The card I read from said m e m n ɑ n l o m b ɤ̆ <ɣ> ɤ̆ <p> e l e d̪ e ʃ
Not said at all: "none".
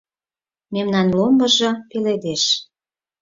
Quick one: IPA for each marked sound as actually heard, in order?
ʒ, p

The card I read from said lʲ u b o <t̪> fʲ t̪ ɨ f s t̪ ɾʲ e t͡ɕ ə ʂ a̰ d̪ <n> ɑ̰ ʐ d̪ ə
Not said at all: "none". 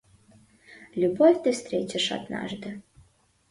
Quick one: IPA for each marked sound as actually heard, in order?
none, n

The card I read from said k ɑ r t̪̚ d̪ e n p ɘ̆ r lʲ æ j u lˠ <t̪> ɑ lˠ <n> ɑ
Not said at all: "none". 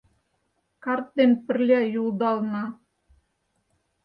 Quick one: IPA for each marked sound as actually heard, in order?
d̪, n

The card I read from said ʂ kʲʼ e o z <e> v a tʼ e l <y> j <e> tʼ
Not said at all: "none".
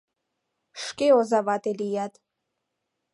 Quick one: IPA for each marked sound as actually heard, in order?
a, i, a

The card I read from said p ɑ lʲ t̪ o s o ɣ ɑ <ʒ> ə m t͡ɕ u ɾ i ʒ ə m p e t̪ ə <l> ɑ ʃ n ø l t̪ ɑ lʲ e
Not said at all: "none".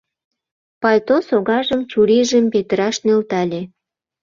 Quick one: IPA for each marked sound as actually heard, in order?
ʒ, ɾ

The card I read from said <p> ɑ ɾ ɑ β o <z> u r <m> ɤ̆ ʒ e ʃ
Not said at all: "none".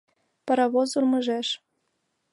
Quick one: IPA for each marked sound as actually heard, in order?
p, z, m

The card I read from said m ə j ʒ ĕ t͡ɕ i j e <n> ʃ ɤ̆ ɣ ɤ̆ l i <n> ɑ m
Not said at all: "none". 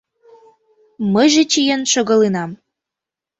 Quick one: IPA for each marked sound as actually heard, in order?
n, n

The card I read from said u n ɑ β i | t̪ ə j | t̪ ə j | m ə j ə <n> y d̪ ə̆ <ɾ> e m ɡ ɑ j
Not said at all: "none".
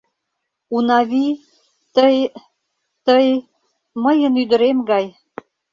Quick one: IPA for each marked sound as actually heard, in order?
n, ɾ

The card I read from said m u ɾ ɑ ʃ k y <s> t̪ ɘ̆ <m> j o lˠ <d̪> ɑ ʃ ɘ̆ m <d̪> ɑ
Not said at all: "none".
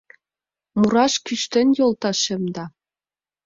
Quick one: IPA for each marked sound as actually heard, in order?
ʃ, n, t̪, d̪

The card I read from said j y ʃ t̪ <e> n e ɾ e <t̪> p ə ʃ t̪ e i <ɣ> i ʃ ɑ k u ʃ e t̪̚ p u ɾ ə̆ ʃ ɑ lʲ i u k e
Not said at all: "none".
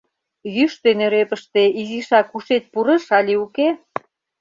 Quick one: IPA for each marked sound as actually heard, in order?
e, none, z

